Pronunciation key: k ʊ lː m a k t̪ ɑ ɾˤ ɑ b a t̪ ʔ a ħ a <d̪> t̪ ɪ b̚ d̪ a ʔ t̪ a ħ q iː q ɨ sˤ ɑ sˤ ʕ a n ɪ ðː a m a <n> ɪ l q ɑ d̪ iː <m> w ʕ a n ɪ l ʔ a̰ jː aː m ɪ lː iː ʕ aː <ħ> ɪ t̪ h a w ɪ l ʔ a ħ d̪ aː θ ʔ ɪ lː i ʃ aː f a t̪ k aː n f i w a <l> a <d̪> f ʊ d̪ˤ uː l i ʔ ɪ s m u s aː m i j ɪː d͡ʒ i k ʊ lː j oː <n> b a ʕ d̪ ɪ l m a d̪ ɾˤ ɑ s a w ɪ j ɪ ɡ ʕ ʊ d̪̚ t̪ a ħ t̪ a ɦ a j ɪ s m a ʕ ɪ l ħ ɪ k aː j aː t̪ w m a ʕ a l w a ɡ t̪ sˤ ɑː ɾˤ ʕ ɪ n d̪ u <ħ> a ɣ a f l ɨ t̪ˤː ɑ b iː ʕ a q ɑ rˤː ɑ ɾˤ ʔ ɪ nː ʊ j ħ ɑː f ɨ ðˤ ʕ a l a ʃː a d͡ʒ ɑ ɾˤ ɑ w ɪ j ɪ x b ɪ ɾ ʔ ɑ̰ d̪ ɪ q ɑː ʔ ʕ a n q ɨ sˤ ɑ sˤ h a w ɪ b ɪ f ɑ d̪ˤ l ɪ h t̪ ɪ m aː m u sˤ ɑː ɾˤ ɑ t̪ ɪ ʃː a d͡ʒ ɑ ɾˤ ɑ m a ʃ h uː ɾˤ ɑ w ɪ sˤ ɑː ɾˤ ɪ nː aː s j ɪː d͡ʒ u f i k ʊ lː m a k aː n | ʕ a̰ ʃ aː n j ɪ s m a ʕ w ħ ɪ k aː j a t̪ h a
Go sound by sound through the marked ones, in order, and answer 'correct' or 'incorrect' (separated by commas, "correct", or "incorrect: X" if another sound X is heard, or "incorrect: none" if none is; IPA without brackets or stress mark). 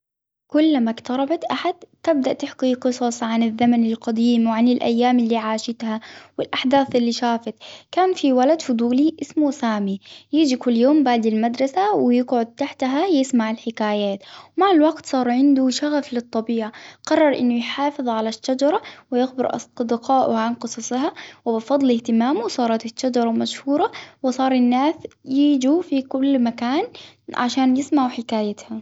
correct, correct, correct, incorrect: ʃ, correct, correct, incorrect: m, incorrect: ʃ